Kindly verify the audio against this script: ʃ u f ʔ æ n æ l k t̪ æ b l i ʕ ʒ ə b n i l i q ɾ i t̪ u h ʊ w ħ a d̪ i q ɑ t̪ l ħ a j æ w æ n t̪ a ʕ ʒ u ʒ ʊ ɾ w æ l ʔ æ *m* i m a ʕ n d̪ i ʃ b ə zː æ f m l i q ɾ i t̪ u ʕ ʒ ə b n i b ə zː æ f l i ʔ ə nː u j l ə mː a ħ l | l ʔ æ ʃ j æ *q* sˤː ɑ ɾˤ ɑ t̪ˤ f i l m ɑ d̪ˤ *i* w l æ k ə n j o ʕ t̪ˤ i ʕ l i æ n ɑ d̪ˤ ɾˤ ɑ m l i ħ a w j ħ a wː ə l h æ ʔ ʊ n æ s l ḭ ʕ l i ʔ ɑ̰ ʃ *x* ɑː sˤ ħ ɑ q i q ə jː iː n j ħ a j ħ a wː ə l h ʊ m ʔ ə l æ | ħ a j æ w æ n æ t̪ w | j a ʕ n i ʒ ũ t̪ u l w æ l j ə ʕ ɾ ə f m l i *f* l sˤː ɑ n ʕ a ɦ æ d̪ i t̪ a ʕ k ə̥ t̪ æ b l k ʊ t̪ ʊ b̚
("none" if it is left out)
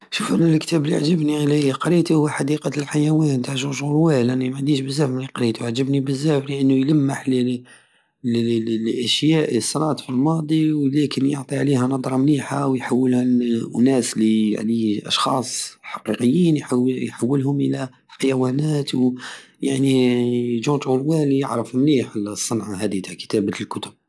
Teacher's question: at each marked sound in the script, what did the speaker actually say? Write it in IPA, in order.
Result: n, ʔ, i, x, ħ

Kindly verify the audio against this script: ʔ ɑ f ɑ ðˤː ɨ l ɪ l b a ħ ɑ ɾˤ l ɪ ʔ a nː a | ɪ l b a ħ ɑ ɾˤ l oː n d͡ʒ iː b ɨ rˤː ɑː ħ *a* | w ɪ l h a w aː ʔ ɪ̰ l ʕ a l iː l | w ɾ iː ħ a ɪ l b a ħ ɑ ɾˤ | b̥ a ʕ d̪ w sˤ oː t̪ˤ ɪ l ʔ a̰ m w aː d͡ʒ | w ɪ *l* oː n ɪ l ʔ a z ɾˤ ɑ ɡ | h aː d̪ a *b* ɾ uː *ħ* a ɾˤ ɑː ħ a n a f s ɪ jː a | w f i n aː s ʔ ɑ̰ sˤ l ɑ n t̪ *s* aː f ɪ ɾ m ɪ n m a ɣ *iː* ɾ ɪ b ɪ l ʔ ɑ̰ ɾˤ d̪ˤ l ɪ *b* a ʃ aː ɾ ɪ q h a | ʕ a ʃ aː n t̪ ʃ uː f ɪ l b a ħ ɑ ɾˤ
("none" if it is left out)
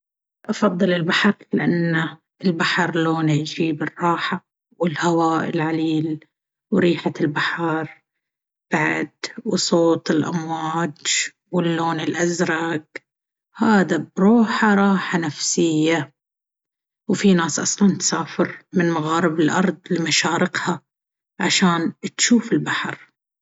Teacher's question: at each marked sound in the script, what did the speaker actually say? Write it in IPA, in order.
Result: a, lː, b, ħ, s, aː, m

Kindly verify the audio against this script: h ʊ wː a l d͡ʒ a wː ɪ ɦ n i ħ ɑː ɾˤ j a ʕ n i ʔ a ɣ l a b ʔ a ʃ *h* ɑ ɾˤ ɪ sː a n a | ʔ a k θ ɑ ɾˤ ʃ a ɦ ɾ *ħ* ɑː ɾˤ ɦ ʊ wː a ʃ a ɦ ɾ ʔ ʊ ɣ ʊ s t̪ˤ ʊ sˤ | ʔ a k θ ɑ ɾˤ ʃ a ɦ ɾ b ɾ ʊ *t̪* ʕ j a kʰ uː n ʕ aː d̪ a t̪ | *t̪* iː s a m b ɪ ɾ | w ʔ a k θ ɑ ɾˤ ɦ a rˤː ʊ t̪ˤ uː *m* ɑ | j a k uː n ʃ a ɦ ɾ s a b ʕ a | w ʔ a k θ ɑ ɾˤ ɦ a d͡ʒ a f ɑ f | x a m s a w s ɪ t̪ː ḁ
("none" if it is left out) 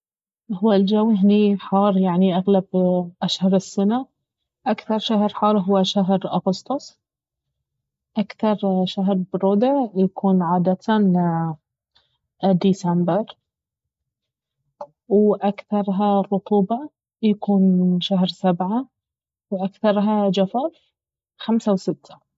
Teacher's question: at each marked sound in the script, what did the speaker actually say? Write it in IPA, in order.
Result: h, ħ, d̪, d̪, b

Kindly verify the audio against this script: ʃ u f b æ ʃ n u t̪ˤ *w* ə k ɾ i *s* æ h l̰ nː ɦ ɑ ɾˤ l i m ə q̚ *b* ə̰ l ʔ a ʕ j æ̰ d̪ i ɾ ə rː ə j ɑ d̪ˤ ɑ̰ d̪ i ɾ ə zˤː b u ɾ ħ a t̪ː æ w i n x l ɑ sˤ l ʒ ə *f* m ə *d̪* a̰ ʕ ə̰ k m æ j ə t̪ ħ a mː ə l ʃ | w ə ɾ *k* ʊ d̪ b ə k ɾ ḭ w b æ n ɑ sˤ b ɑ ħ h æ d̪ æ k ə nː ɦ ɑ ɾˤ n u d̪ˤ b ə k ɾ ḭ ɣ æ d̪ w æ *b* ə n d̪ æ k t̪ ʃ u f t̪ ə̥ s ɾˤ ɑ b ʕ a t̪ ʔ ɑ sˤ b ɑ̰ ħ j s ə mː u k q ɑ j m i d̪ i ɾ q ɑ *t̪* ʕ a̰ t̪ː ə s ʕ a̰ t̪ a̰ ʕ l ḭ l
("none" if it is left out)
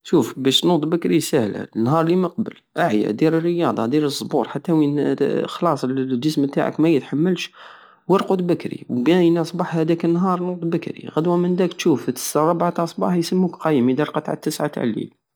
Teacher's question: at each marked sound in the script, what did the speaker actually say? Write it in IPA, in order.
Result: b, s, b, s, t̪, q, m, t̪

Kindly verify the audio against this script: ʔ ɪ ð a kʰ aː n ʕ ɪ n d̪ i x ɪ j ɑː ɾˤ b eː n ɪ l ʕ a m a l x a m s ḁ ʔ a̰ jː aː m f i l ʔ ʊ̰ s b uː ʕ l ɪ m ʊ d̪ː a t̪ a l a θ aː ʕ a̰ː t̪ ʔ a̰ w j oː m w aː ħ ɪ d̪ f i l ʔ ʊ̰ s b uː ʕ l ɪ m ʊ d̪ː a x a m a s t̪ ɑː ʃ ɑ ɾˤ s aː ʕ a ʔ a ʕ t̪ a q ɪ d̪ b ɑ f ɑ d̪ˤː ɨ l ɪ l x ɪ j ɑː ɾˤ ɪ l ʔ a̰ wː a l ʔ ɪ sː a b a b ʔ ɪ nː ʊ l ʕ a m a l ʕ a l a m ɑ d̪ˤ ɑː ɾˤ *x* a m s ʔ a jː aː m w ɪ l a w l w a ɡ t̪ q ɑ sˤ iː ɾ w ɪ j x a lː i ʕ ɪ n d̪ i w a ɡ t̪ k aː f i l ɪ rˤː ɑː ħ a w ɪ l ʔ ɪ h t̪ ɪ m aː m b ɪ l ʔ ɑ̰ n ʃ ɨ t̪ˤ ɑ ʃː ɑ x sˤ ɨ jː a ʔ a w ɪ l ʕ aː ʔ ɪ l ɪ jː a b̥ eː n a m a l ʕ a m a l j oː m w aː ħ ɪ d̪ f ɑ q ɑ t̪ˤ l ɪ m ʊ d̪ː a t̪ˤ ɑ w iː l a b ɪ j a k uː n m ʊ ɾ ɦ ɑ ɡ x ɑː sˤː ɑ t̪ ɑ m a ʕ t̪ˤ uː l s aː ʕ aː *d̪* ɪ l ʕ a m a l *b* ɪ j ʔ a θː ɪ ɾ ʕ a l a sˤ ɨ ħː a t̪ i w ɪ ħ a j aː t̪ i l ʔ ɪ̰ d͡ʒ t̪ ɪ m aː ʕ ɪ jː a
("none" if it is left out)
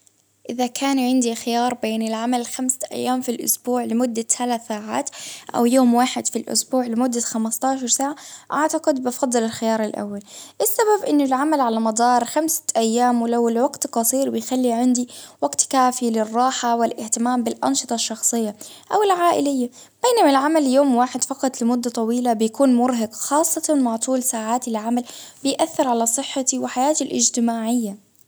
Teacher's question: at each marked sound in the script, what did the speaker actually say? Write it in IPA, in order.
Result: x, t̪, b

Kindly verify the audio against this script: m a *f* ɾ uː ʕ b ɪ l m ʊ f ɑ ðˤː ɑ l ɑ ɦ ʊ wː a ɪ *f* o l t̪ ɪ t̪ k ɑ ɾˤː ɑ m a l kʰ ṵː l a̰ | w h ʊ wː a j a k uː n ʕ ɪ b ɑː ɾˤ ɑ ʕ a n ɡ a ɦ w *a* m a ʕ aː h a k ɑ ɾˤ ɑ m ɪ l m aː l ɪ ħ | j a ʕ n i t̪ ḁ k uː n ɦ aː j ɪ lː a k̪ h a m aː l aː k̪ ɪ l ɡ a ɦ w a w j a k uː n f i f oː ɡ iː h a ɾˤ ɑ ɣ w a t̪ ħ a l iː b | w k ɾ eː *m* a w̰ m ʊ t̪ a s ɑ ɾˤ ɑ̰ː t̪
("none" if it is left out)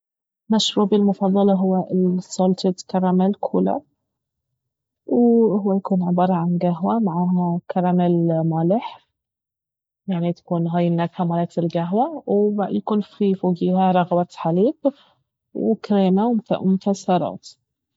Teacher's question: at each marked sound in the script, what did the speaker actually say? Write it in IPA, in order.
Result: ʃ, s, a, m

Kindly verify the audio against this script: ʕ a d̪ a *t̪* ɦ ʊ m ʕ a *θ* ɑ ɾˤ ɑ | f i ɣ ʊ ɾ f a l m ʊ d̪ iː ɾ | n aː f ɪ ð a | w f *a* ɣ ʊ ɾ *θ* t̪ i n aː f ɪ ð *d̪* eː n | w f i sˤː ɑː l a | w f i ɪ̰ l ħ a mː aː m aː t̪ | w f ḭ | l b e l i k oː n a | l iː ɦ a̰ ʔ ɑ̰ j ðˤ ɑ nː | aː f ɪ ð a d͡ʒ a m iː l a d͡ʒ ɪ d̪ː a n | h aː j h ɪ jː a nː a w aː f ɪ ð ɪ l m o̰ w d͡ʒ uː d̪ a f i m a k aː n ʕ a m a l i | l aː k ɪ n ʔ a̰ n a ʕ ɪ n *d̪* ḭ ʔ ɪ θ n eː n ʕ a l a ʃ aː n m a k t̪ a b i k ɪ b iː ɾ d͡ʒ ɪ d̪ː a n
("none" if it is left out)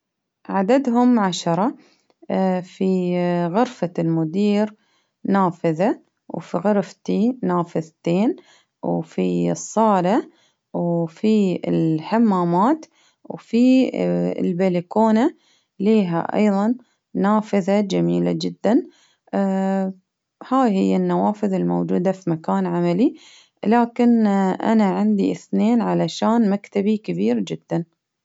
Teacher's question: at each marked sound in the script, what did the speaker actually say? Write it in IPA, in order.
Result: d̪, ʃ, i, f, t̪, d̪

